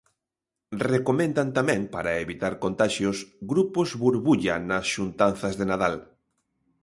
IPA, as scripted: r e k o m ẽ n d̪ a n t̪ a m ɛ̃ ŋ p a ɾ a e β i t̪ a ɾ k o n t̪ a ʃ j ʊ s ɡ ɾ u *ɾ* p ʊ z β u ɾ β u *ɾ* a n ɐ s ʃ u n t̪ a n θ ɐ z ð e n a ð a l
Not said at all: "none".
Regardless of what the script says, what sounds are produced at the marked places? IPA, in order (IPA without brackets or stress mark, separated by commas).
none, ʎ